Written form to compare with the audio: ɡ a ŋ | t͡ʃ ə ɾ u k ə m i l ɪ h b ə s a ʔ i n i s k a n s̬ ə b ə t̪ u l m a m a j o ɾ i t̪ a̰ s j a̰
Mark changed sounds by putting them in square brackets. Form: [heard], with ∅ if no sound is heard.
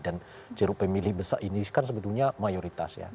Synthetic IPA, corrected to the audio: [d] a [n] | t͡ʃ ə ɾ u [p] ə m i l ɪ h b ə s a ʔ i n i s k a n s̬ ə b ə t̪ u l [ɲ] a m a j o ɾ i t̪ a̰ s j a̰